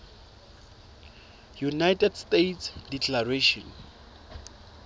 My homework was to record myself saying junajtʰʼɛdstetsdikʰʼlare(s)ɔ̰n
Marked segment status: incorrect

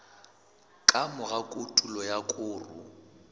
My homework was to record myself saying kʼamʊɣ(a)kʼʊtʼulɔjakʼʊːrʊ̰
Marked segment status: correct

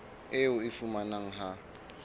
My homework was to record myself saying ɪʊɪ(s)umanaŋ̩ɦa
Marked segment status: incorrect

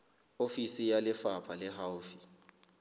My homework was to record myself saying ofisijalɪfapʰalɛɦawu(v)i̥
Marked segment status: incorrect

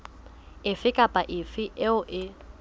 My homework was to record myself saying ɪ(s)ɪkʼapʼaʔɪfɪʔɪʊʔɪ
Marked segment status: incorrect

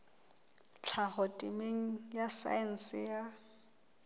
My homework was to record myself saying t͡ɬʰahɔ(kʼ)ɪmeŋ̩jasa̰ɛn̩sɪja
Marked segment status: incorrect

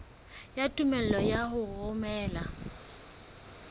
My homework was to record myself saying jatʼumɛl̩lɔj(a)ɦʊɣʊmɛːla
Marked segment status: correct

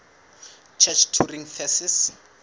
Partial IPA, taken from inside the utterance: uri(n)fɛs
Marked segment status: incorrect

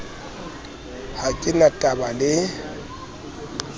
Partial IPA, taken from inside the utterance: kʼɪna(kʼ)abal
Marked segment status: incorrect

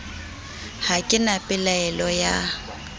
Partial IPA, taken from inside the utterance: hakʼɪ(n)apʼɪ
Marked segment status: correct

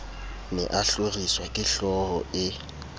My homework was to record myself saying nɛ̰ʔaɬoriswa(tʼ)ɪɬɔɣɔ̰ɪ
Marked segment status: incorrect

